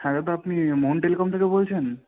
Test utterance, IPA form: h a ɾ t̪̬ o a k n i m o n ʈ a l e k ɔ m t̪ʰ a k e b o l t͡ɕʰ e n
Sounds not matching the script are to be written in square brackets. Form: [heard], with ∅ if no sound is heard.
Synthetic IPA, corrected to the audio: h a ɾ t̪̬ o a [p] n i m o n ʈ [e] l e k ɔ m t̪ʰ [e] k e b o l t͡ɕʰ e n